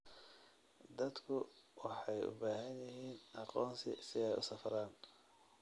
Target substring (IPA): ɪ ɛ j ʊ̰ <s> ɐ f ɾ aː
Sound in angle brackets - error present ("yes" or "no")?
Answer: no